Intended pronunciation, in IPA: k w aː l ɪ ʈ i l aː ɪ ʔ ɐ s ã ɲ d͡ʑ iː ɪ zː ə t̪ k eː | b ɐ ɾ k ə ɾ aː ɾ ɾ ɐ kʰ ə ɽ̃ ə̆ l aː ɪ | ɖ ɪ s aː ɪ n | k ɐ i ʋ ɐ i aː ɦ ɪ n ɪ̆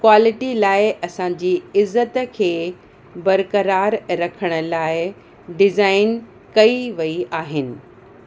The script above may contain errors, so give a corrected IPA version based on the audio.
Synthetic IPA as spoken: k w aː l ɪ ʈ i l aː ɪ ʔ ɐ s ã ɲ d͡ʑ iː ɪ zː ə t̪ kʰ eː | b ɐ ɾ k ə ɾ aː ɾ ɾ ɐ kʰ ə ɽ̃ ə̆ l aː ɪ | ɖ ɪ z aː ɪ n | k ɐ i ʋ ɐ i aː ɦ ɪ n ɪ̆